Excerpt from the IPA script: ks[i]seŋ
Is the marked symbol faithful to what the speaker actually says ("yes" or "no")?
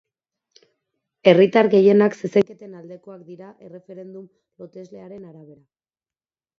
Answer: no